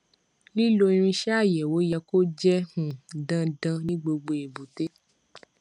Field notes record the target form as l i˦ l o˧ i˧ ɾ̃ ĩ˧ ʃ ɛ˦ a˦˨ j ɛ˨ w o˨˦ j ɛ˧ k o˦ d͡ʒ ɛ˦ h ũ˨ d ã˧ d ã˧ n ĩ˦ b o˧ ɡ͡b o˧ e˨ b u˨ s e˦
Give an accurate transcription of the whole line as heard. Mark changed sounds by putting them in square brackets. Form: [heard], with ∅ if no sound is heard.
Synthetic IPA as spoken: l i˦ l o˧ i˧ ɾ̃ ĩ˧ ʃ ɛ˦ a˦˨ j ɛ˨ w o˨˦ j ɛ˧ k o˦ d͡ʒ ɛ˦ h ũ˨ d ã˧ d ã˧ n ĩ˦ [ɡ͡b] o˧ ɡ͡b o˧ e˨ b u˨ [t] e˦